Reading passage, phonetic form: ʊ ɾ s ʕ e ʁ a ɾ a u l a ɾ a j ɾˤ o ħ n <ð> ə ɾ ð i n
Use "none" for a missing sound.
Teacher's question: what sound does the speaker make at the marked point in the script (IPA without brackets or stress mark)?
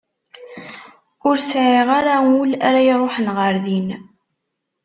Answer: ʁ